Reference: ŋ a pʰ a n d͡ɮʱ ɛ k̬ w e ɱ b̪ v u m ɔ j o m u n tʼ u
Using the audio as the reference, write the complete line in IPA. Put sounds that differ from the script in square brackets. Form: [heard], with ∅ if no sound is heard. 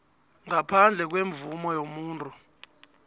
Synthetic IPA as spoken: ŋ a pʰ a n d͡ɮʱ ɛ k̬ w e ɱ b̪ v u m ɔ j o m [uː] n tʼ u